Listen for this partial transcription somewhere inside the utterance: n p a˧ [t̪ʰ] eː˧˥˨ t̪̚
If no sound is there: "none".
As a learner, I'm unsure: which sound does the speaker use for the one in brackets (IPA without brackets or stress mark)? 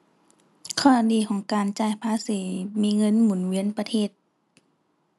t̪ʰ